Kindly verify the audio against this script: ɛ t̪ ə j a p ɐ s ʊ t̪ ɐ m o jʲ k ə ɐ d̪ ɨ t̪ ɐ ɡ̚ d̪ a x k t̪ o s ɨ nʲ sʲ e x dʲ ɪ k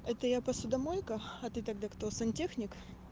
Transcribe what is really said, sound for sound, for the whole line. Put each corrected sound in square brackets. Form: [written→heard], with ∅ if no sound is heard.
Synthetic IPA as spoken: ɛ t̪ ə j a p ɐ s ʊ [t̪→d̪] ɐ m o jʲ k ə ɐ [d̪→t̪] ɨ t̪ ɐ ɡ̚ d̪ a [x→∅] k t̪ o s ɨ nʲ [sʲ→tʲ] e x [dʲ→nʲ] ɪ k